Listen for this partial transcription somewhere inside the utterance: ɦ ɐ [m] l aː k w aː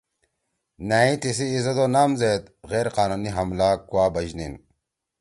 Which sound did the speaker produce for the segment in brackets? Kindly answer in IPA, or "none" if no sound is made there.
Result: m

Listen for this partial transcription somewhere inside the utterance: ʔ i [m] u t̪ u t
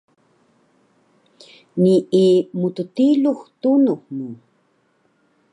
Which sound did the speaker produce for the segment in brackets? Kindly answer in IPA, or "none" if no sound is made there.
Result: m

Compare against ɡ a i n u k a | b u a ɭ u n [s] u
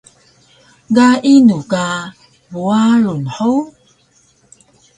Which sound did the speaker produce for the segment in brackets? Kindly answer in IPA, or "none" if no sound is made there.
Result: ħ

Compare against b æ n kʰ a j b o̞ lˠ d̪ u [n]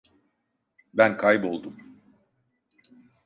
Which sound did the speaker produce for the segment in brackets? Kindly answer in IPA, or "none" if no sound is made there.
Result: m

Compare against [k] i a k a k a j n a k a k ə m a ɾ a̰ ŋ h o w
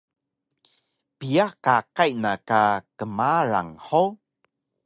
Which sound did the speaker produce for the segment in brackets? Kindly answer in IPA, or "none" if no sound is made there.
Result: p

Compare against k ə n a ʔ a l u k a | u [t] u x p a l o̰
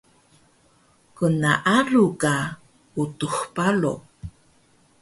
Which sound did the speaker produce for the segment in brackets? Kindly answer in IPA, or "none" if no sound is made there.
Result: t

